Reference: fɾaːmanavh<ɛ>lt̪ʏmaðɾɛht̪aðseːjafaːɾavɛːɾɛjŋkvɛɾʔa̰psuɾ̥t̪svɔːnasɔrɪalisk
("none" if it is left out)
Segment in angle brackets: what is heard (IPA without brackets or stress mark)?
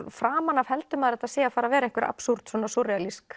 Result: ɛ